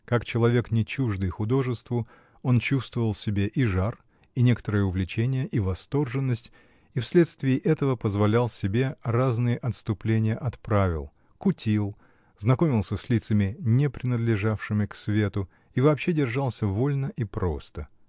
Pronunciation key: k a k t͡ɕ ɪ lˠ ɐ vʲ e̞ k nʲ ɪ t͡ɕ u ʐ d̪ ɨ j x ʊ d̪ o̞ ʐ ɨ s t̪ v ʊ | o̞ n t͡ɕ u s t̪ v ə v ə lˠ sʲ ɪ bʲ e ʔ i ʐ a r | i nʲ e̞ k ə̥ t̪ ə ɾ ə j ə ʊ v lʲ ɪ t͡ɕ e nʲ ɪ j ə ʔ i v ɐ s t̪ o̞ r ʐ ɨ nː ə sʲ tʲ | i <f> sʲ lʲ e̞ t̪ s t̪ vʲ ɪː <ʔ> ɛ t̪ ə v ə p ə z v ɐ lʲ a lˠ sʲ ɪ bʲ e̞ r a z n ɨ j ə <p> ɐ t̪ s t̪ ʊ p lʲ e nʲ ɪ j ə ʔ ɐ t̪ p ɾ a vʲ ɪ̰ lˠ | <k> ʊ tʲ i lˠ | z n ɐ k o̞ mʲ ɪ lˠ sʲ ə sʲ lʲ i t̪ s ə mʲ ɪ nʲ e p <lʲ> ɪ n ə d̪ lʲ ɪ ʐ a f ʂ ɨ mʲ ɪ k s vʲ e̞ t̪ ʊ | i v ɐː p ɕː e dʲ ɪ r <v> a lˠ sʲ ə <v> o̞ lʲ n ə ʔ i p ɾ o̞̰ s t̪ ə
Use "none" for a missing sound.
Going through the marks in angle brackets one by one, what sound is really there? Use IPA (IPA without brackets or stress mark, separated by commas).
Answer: f, ʔ, ʔ, k, ɾʲ, ʐ, v